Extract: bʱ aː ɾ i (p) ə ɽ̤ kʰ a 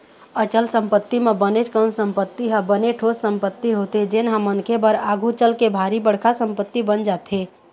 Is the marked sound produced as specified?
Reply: no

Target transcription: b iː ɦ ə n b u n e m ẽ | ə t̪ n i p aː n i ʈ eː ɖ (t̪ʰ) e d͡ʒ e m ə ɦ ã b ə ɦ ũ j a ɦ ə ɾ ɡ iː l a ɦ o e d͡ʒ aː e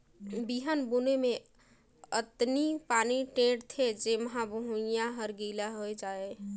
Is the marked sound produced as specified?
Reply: yes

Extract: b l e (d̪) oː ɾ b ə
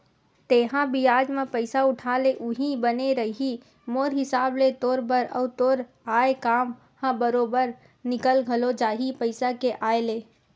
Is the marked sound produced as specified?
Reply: no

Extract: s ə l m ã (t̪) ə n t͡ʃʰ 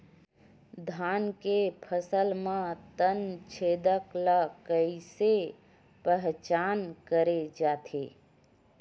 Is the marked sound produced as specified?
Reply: yes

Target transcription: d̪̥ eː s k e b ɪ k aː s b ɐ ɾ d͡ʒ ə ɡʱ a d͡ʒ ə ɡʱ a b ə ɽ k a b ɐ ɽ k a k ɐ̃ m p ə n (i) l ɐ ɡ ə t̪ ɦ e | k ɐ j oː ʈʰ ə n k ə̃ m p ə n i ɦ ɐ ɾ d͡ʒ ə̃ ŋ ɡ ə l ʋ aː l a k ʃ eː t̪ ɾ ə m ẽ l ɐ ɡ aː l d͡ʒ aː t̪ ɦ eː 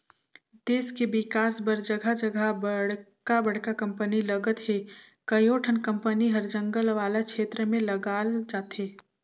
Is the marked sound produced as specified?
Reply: yes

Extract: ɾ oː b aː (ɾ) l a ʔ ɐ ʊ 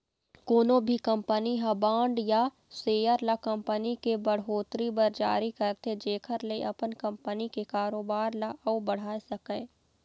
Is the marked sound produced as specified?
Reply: yes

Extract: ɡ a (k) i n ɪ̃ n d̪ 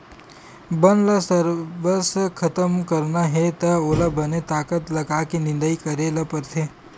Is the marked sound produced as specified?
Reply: yes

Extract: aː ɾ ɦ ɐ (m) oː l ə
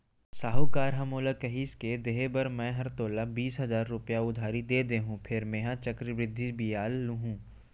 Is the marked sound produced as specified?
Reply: yes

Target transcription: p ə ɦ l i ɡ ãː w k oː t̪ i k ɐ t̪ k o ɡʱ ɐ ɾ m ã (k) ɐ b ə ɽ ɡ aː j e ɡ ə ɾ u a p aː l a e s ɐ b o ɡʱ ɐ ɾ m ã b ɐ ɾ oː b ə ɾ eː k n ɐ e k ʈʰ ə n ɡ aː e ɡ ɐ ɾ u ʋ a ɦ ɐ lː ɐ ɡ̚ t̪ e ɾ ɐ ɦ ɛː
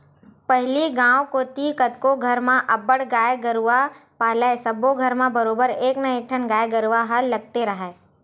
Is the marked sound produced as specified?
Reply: no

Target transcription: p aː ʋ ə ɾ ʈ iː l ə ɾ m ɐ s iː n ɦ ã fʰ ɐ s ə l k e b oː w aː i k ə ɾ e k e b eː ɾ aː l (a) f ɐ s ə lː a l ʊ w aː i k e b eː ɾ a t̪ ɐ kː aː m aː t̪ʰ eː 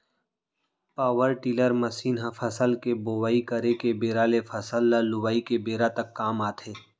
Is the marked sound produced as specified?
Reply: no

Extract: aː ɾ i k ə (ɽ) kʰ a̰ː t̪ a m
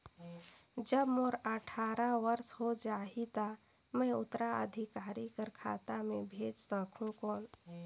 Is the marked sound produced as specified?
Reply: no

